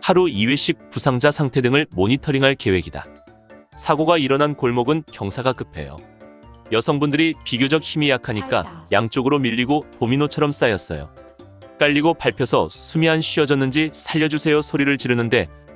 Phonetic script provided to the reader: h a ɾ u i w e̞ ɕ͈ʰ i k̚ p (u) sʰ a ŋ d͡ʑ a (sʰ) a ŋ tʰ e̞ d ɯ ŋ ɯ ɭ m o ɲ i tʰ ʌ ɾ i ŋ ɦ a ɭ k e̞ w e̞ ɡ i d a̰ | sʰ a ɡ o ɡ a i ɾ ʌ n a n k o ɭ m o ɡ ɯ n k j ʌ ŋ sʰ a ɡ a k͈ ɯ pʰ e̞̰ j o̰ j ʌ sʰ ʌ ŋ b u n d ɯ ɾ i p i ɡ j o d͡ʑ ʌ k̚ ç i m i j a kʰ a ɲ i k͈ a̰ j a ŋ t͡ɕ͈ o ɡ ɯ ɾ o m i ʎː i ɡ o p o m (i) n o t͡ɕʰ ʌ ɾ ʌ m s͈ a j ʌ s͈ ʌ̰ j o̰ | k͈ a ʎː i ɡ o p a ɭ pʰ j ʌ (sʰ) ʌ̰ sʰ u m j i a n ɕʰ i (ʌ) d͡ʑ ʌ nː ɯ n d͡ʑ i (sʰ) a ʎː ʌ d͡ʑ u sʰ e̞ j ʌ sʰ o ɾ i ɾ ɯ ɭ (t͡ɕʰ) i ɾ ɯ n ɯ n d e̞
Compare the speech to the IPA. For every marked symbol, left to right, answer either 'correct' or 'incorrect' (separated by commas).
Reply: correct, correct, correct, correct, correct, correct, incorrect